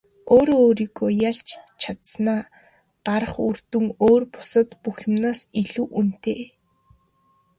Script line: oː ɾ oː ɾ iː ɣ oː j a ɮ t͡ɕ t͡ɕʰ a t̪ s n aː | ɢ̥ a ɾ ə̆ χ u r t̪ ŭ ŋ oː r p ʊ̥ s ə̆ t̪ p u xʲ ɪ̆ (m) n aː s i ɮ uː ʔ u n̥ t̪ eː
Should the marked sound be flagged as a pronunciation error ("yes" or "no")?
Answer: no